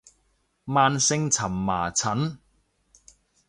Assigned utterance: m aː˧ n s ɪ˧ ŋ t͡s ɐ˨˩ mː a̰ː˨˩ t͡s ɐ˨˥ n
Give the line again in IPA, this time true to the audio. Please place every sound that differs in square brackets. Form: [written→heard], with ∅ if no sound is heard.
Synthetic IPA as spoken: m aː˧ n s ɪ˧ ŋ [t͡s→t͡sʰ] ɐ˨˩ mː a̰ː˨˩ [t͡s→t͡sʰ] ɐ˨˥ n